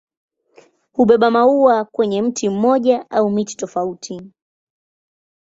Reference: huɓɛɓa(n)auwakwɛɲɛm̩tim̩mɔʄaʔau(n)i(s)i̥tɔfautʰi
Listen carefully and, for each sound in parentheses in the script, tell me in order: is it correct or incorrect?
incorrect, incorrect, incorrect

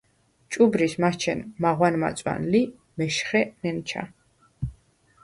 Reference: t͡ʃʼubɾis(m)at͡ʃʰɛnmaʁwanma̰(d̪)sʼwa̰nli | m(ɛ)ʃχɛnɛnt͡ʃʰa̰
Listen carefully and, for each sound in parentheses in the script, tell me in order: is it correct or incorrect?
correct, incorrect, correct

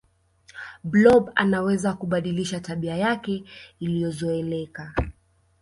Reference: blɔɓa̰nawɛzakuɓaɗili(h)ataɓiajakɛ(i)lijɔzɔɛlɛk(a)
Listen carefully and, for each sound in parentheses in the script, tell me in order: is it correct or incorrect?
incorrect, correct, correct

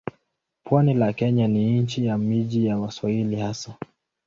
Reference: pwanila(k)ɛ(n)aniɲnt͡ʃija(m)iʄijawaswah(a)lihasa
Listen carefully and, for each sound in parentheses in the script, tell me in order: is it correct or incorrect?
correct, incorrect, correct, incorrect

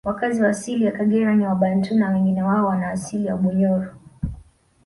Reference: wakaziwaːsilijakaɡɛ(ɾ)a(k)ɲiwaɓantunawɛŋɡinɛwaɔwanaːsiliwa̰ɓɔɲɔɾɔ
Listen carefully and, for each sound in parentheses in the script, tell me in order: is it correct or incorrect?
correct, incorrect

